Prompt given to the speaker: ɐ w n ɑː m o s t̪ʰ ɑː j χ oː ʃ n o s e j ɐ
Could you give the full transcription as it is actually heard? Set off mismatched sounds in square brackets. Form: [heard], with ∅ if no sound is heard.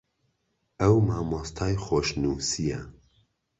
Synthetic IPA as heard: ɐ w [m] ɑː m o s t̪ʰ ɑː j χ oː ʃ n [u] s [i] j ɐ